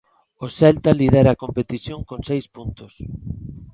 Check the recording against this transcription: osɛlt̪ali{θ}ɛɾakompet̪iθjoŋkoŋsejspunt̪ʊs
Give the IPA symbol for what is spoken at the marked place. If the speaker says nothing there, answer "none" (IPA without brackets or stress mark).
ð